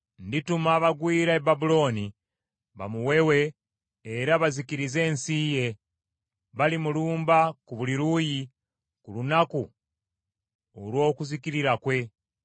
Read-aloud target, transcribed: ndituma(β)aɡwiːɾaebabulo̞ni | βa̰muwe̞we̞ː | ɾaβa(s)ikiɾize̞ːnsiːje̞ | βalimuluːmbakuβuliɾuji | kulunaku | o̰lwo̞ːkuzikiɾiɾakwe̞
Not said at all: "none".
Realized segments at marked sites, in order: β, z

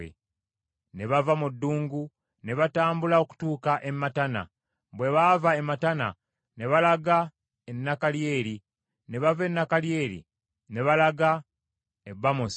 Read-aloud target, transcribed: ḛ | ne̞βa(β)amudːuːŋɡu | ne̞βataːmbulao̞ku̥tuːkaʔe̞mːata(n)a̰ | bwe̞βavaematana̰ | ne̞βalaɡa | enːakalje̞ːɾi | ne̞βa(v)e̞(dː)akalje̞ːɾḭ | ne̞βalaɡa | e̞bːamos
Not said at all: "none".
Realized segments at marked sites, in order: v, n, v, nː

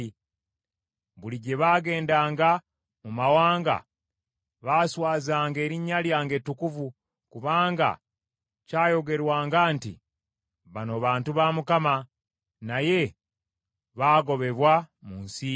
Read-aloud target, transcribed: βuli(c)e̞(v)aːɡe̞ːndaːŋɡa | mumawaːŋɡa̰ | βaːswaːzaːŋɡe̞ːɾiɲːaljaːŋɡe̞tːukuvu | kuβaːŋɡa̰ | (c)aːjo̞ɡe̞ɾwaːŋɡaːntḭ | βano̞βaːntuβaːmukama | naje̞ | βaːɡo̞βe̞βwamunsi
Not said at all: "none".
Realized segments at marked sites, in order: ɟ, β, c

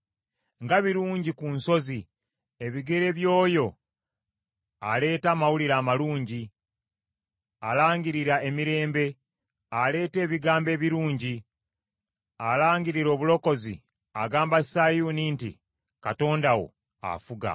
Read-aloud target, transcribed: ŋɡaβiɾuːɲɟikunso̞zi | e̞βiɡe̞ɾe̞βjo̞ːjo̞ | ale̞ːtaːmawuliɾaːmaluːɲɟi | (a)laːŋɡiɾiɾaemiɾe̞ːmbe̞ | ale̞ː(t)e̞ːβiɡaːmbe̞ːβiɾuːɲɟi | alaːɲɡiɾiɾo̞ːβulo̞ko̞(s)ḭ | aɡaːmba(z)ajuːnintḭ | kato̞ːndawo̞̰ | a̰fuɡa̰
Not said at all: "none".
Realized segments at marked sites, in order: a, t, z, s

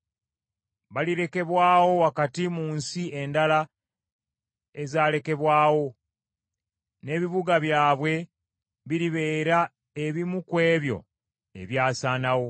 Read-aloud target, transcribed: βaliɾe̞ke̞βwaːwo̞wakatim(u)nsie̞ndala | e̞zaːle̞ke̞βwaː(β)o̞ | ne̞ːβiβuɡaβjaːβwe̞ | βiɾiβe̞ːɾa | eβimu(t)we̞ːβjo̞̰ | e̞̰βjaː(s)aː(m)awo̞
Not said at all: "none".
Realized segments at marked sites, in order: uː, w, k, s, n

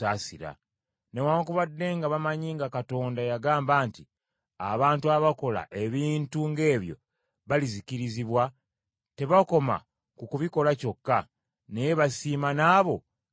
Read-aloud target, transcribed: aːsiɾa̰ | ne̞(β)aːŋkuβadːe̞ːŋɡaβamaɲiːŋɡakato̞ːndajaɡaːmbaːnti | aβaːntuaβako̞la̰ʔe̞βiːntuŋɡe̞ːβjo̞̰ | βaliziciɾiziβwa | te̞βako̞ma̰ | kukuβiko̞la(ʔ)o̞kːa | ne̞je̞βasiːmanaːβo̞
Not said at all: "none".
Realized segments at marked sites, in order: w, c

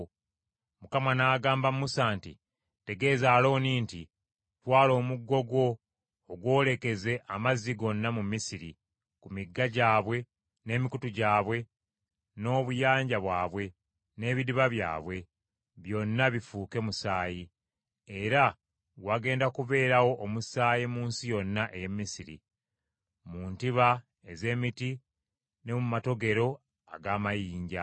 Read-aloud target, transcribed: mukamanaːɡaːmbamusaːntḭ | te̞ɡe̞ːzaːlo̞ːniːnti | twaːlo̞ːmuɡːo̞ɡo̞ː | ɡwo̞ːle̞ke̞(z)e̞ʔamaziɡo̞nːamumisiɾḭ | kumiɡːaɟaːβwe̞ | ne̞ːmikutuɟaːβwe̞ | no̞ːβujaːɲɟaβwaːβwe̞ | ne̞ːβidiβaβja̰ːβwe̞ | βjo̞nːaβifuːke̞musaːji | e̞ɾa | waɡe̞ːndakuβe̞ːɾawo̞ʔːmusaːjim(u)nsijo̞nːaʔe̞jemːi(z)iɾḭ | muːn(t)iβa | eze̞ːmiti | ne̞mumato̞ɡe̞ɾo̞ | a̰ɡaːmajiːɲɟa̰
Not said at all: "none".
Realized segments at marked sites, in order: z, uː, s, t

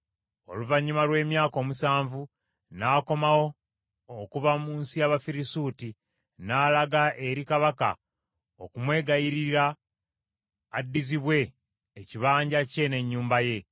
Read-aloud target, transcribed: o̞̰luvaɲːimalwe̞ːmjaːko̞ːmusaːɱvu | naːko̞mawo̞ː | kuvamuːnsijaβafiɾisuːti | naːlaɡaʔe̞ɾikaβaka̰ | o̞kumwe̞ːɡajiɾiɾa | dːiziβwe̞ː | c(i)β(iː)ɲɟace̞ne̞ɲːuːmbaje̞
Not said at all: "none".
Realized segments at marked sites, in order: i, aː

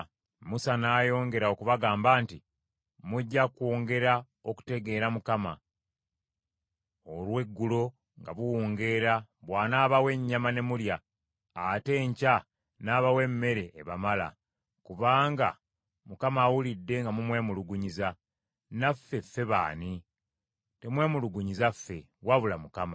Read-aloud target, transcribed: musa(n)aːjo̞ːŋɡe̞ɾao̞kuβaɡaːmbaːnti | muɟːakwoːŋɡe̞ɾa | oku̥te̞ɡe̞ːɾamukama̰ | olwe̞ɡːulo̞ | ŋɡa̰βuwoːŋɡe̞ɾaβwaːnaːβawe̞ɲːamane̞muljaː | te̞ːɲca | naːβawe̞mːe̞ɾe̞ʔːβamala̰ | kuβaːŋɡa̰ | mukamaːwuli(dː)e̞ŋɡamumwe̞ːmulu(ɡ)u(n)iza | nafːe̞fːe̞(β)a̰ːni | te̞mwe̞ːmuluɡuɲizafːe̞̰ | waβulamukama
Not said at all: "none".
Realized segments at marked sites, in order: n, dː, ɡ, ɲ, β

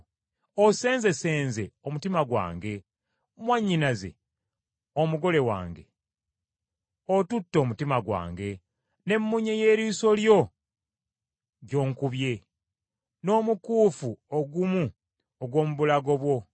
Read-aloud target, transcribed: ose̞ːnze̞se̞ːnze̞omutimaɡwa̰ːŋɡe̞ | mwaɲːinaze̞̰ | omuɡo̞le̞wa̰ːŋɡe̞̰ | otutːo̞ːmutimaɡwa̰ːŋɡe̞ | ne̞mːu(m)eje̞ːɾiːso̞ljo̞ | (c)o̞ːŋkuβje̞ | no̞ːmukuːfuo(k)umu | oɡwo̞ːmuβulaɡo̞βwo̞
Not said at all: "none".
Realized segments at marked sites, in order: ɲ, ɟ, ɡ

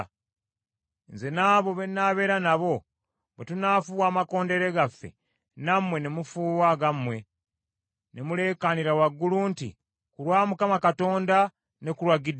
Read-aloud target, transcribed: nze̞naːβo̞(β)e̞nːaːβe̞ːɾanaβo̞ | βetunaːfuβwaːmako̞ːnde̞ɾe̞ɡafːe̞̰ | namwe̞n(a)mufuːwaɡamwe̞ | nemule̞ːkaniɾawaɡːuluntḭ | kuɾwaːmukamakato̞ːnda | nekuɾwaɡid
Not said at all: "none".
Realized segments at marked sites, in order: β, e

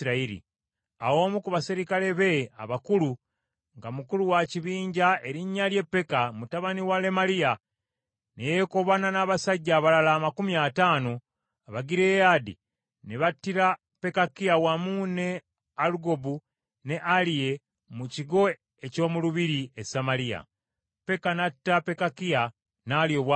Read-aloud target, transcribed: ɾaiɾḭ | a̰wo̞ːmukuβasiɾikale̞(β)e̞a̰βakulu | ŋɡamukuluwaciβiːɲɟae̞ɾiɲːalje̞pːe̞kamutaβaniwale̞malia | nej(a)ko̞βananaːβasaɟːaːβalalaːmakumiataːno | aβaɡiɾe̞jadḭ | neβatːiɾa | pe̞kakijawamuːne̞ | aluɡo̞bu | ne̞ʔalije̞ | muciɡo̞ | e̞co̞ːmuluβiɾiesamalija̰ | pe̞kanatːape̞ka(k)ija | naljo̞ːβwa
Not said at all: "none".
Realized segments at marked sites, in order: β, e, k

